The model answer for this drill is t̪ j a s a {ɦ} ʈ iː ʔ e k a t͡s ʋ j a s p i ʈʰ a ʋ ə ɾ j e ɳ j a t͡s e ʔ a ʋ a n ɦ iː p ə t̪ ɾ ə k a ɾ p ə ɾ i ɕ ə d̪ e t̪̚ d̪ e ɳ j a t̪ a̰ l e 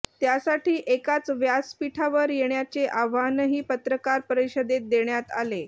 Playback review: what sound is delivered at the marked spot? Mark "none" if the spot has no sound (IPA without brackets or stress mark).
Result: none